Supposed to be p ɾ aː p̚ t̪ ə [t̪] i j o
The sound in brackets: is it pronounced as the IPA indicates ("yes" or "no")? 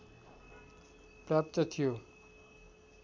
no